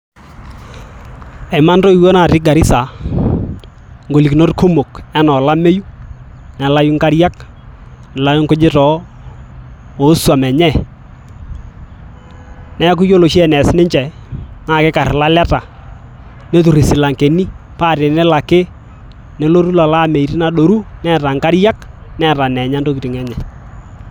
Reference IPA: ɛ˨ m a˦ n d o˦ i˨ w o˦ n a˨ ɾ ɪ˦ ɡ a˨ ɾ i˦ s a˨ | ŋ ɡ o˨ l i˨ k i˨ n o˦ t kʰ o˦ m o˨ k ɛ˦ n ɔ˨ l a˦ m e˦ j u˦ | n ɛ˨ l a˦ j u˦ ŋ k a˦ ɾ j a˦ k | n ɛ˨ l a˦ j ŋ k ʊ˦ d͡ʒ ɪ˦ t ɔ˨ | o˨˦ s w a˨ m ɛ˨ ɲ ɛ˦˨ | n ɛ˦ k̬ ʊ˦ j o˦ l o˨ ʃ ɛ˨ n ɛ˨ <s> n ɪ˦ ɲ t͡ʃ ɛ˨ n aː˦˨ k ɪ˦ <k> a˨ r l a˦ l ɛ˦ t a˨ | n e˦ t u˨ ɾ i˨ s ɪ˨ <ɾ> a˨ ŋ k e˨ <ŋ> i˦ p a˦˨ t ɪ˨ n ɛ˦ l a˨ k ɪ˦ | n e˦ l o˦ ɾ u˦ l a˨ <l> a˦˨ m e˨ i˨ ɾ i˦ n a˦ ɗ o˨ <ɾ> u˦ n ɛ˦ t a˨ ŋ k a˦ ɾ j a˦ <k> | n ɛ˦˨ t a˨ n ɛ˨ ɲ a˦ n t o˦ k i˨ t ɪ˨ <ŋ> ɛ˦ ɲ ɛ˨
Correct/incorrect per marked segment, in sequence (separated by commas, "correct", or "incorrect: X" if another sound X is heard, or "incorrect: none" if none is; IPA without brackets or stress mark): correct, correct, incorrect: l, incorrect: n, correct, correct, correct, correct